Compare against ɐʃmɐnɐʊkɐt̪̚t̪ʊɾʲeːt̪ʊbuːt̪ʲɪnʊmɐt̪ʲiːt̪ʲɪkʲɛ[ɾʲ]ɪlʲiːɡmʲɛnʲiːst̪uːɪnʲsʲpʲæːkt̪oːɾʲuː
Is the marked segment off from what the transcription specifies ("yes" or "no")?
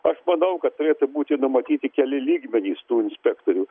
yes